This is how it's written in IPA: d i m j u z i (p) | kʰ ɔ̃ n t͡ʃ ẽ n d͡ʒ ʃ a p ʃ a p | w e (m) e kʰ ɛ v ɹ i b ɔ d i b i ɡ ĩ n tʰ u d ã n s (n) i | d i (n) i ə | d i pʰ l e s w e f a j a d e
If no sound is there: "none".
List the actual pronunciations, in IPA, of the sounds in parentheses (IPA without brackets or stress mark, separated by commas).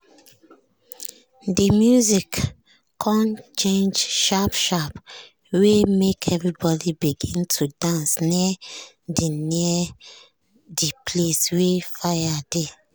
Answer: k, m, n, n